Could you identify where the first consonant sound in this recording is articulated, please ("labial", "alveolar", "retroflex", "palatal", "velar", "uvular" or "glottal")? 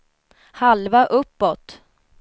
glottal